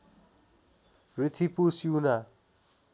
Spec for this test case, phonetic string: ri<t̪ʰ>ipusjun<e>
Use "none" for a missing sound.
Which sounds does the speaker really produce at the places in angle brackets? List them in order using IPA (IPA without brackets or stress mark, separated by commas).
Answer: t̪ʰ, a